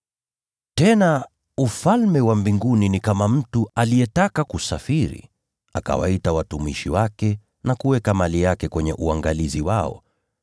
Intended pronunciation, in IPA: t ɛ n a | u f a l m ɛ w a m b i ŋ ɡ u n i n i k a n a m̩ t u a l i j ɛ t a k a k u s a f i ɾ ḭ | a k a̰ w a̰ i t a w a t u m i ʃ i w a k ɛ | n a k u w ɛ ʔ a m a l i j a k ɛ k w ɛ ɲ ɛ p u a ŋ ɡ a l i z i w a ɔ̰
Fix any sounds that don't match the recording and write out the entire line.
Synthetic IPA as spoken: t ɛ n a | u f a l m ɛ w a m b i ŋ ɡ u n i n i k a m a m̩ t u a l i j ɛ t a k a k u s a f i ɾ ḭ | a k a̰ w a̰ i t a w a t u m i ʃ i w a k ɛ | n a k u w ɛ k a m a l i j a k ɛ k w ɛ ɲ ɛ ʔ u a ŋ ɡ a l i z i w a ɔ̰